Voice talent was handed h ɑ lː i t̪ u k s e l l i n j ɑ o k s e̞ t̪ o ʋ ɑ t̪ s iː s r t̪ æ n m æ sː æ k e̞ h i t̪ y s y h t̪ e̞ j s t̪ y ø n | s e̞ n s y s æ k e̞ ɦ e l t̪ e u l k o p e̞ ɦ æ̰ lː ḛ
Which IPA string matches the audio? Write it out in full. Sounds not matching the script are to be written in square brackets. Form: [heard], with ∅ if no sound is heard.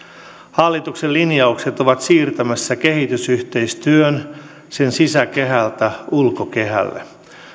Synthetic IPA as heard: h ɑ lː i t̪ u k s e l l i n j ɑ [u] k s e̞ t̪ o ʋ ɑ t̪ s iː [∅] r t̪ æ [∅] m æ sː æ k e̞ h i t̪ y s y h t̪ e̞ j s t̪ y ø n | s e̞ n s [i] s æ k e̞ ɦ [æ] l t̪ [æ] u l k o [k] e̞ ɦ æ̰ lː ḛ